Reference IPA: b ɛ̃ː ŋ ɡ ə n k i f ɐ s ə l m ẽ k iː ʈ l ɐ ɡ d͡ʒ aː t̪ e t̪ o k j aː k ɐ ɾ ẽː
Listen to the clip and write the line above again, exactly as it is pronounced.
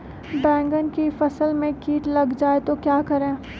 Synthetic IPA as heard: b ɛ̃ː ŋ ɡ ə n k i f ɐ s ə l m ẽ k iː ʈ l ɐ ɡ d͡ʒ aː e t̪ o k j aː k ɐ ɾ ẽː